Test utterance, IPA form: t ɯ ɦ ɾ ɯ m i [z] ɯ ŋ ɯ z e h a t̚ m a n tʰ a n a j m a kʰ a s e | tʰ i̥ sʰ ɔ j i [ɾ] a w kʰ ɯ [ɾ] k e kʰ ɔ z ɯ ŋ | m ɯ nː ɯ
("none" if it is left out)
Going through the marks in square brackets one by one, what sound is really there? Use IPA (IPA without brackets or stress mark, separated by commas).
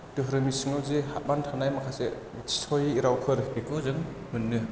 s, ɾ, ɾ